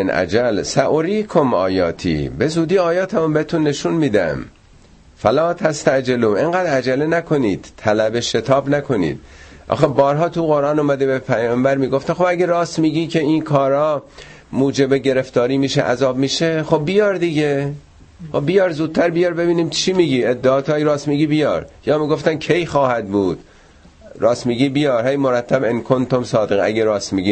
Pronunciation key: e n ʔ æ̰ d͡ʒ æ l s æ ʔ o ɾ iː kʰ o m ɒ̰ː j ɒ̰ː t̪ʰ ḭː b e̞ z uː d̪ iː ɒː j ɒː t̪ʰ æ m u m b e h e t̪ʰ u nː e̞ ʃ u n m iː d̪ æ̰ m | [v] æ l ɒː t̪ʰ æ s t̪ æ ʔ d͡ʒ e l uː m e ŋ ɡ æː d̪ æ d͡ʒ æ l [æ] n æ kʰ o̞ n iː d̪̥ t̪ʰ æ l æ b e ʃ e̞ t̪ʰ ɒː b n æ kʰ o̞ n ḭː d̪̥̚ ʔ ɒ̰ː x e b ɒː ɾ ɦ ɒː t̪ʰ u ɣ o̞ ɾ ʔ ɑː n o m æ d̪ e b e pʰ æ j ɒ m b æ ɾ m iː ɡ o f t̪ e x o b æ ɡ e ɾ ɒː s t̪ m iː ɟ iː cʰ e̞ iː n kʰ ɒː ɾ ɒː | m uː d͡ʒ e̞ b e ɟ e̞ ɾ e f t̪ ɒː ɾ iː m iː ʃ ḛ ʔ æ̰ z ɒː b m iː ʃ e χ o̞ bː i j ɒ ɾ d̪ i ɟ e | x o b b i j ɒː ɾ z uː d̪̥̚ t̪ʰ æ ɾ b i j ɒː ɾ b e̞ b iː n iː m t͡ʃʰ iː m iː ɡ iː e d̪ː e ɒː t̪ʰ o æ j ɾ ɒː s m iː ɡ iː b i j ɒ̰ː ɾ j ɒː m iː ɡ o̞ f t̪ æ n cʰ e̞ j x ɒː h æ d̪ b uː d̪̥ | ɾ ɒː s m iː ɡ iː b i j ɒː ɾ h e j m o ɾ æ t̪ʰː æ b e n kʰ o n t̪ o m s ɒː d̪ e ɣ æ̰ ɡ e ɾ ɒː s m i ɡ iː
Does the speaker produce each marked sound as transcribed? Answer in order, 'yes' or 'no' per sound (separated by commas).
no, no